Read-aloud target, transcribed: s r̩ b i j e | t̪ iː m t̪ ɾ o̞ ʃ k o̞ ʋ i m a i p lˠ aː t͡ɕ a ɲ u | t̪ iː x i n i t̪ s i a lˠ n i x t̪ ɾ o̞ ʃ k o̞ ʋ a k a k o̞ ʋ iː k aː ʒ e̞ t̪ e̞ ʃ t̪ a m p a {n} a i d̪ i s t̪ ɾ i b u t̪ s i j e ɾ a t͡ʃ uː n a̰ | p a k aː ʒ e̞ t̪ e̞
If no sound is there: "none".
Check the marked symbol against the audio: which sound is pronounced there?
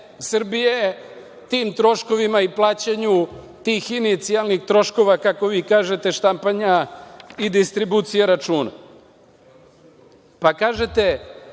ɲ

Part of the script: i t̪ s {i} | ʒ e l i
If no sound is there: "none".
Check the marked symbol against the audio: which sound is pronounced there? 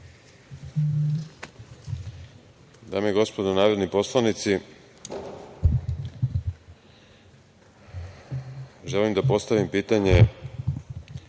i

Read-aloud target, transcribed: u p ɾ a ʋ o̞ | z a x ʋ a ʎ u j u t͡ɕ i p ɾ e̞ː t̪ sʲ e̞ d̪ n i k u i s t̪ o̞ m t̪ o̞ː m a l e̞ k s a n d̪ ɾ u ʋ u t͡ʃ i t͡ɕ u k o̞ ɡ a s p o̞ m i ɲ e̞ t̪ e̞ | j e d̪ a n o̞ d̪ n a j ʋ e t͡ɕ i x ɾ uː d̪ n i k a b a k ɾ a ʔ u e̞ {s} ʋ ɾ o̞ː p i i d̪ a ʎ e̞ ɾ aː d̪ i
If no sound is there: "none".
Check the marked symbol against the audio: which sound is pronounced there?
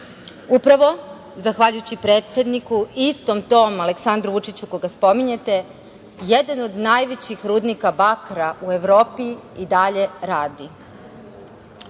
none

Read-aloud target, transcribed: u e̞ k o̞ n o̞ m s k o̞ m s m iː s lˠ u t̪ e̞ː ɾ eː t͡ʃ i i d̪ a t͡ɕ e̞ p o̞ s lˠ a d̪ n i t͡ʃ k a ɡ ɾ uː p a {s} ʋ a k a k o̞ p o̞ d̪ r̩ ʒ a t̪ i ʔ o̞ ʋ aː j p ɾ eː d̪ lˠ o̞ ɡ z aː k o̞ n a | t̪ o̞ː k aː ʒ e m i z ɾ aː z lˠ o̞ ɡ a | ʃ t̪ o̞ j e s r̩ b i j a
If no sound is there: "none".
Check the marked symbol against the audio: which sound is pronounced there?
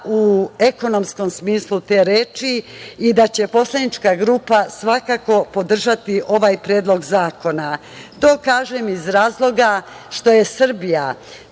s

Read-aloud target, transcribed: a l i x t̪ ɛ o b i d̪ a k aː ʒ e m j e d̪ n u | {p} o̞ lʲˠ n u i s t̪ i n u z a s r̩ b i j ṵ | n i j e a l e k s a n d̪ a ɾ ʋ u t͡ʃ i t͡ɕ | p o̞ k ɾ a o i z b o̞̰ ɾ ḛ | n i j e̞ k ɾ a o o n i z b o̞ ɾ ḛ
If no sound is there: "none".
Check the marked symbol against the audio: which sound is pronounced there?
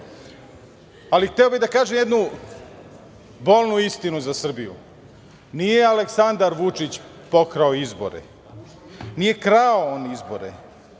b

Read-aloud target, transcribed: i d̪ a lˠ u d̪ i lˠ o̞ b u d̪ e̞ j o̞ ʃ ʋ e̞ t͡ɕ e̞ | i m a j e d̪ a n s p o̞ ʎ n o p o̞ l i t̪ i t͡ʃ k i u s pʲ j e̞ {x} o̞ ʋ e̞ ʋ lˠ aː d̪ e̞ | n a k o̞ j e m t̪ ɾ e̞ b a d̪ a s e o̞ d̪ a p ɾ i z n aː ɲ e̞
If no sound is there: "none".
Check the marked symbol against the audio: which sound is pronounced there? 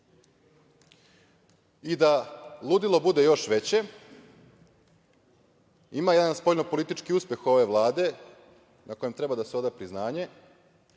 x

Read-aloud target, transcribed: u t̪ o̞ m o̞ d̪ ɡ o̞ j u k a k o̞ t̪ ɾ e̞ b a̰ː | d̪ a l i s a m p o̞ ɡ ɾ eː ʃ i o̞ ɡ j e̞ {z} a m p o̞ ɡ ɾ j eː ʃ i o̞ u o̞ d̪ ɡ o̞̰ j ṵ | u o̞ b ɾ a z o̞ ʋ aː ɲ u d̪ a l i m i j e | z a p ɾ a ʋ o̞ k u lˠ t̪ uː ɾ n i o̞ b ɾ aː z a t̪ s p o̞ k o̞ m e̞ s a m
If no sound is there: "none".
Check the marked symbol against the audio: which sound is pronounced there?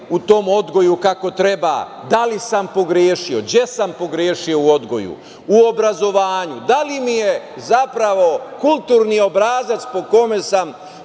s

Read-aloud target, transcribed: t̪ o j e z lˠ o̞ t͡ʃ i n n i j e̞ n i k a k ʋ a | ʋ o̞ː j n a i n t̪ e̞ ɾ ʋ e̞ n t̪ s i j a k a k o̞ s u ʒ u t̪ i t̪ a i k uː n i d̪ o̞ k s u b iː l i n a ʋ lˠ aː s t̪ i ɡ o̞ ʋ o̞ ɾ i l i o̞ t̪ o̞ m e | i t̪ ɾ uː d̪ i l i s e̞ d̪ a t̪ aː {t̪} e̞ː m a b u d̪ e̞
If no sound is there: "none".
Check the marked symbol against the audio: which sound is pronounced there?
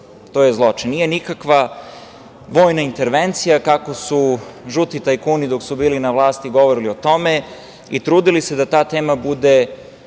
t̪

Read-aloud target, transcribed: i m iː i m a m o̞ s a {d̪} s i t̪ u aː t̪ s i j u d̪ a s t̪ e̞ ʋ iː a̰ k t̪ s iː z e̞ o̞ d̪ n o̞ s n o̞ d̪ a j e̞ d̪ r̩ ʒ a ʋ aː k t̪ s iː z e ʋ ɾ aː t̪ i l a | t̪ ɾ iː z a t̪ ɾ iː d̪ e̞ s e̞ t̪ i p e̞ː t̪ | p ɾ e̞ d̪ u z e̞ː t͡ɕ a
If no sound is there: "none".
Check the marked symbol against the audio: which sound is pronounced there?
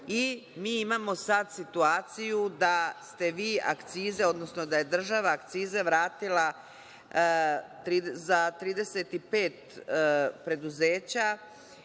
d̪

